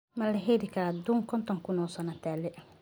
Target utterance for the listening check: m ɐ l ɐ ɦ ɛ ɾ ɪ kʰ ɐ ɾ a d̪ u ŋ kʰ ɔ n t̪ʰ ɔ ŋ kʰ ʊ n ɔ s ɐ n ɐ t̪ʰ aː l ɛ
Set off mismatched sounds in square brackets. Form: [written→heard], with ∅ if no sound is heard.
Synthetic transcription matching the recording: m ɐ l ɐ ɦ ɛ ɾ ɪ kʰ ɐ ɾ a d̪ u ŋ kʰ ɔ n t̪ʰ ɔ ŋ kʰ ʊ n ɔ s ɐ n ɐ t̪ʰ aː l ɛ